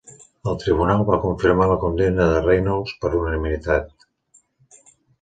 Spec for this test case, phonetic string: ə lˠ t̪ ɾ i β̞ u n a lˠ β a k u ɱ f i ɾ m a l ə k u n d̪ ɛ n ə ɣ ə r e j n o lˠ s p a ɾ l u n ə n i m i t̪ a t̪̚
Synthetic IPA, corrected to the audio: ə lˠ t̪ ɾ i β̞ u n a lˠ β a k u ɱ f i ɾ m a l ə k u n d̪ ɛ n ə ð ə r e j n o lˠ s p ə ɾ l u n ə n i m i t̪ a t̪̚

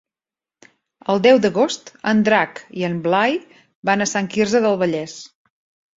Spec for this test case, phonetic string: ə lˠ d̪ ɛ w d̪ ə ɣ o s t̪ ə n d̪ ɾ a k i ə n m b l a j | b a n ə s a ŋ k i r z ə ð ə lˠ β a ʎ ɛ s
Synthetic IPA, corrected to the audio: ə lˠ d̪ ɛ w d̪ ə ɣ o s t̪ ə n d̪ ɾ a k i ə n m b l a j | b a n ə s a ŋ k i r z ə ð ə lˠ β ə ʎ ɛ s

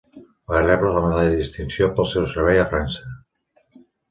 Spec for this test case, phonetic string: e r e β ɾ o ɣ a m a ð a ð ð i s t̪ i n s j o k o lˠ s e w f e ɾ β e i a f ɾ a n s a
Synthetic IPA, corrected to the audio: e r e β ɾ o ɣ a m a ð a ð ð i s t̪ i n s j o p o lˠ s e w s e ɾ β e j a f ɾ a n s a

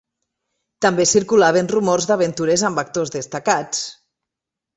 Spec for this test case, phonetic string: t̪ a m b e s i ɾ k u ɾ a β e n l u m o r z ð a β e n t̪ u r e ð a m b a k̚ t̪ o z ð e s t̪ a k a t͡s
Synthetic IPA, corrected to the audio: t̪ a m b e s i ɾ k u l a β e n r u m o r z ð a β e n t̪ u ɾ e z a m b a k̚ t̪ o z ð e s t̪ a k a t͡s

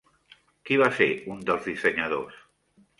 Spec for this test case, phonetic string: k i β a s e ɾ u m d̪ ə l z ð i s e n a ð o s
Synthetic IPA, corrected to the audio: k i β a s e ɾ u n d̪ ə l z ð i s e ɲ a ð o s

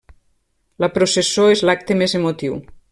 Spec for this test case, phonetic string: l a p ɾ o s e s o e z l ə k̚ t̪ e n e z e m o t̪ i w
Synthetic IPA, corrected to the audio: l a p ɾ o s e s o e z l a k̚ t̪ e m e z e m o t̪ i w

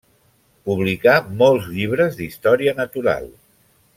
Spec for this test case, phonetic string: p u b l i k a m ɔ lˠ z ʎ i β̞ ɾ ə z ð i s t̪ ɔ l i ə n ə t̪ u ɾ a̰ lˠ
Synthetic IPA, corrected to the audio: p u β l i k a m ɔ lˠ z ʎ i β̞ ɾ ə z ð i s t̪ ɔ ɾ i ə n ə t̪ u ɾ a̰ lˠ

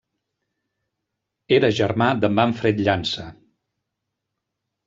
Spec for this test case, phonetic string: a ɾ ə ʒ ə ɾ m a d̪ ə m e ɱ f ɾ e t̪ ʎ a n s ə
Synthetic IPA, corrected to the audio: e ɾ ə ʒ ə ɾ m a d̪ ə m a ɱ f ɾ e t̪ ʎ a n s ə

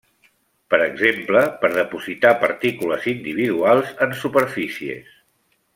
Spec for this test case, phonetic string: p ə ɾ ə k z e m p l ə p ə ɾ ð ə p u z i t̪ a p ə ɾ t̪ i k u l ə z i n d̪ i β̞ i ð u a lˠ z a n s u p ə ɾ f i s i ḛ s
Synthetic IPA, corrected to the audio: p ə ɾ ə ɡ z e m p l ə p ə ɾ ð ə p u z i t̪ a p ə ɾ t̪ i k u l ə z i n d̪ i β̞ i ð u a lˠ z ə n s u p ə ɾ f i s i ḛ s

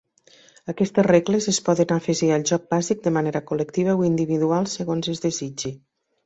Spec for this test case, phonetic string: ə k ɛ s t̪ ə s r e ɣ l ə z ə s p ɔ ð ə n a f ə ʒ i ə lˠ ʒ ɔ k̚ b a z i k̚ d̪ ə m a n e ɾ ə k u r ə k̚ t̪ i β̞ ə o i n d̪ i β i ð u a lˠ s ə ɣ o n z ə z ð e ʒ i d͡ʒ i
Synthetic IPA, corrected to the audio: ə k ɛ s t̪ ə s r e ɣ l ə z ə s p ɔ ð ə n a f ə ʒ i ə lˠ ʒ ɔ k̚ b a z i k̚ d̪ ə m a n e ɾ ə k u l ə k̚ t̪ i β̞ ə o i n d̪ i β i ð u a lˠ s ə ɣ o n z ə z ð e z i d͡ʒ i

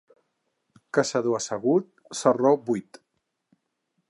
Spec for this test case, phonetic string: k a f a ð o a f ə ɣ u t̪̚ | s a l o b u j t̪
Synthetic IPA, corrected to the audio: k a s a ð o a s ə ɣ u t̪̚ | s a r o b u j t̪

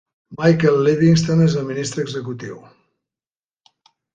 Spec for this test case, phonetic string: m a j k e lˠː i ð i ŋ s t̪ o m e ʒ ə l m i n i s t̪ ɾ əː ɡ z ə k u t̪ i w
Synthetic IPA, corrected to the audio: m a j k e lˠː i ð i ŋ s t̪ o n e z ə l m i n i s t̪ ɾ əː ɡ z ə k u t̪ i w

